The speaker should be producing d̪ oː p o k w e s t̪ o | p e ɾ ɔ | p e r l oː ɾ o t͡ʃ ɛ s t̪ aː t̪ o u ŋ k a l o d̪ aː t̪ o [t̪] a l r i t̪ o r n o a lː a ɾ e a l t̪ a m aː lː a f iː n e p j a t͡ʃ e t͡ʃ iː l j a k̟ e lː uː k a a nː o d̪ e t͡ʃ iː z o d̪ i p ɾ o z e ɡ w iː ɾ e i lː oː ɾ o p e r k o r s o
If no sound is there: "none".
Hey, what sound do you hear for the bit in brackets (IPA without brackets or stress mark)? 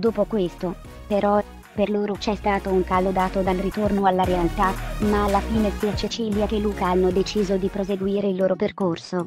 d̪